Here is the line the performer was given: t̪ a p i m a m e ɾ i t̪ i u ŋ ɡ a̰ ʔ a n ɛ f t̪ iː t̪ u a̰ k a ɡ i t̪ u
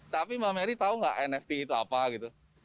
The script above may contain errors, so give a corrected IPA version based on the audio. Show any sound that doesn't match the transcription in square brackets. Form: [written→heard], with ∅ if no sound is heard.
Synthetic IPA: t̪ a p i m a m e ɾ i t̪ [i→a] u ŋ ɡ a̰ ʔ [a→ɛ] n ɛ f t̪ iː t̪ u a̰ [k→p] a ɡ i t̪ u